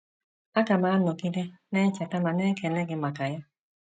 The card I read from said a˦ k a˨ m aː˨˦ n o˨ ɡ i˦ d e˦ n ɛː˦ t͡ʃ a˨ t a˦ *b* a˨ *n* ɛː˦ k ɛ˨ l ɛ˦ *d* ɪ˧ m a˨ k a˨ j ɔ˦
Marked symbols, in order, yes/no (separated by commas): no, yes, no